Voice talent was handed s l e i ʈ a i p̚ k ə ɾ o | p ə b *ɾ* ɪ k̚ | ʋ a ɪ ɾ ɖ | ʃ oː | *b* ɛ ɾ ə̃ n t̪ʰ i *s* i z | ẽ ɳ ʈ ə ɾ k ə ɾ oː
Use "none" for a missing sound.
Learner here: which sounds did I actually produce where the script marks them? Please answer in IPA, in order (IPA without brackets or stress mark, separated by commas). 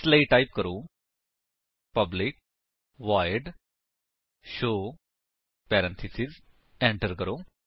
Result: l, p, s